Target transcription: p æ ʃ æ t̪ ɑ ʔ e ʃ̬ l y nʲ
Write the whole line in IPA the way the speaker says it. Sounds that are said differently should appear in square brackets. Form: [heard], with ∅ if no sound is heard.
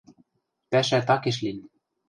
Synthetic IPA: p æ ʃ æ t̪ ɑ [k] e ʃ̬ l [i] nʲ